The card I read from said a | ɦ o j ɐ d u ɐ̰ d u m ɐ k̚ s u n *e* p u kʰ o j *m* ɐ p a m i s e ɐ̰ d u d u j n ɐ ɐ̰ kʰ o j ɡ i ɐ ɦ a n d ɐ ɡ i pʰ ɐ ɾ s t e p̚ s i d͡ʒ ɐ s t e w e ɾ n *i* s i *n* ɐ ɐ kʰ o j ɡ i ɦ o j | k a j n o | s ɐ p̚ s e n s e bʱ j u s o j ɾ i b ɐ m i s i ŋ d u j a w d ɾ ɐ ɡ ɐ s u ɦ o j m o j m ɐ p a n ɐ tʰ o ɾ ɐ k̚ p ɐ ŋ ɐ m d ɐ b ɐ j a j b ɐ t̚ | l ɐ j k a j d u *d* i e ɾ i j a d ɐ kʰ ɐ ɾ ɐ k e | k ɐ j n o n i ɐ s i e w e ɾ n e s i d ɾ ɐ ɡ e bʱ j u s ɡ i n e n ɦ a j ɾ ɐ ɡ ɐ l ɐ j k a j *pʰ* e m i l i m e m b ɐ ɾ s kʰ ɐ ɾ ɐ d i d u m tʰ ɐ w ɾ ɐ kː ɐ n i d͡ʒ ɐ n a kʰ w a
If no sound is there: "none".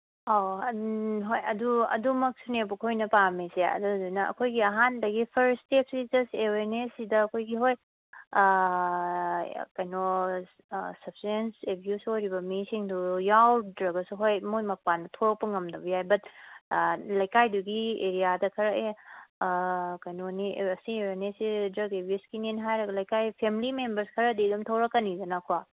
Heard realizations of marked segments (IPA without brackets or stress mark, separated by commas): e, n, e, d, ɡ, pʰ